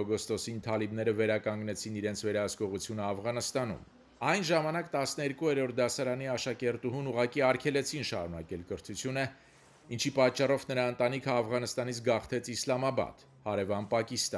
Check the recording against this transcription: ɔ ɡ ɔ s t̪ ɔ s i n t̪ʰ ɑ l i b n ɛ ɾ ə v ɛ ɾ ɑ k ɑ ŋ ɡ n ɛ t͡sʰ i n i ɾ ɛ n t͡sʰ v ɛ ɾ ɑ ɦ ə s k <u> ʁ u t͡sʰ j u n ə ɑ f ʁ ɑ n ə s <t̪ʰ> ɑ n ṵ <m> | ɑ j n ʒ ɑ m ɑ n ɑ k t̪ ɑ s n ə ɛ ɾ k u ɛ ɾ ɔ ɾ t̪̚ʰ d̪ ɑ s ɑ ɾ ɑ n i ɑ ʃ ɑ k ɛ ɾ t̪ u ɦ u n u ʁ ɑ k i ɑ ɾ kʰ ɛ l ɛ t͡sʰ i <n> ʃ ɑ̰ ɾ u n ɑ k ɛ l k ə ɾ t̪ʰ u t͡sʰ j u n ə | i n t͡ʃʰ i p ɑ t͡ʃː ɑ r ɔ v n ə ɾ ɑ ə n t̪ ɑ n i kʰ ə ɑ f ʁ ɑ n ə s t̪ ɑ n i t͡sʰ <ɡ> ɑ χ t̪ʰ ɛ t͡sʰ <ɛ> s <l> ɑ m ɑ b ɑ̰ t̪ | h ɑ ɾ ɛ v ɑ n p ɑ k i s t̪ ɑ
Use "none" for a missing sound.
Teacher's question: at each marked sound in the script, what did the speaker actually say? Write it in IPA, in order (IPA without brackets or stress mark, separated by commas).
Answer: ɔ, t̪, m, n, ɡ, i, l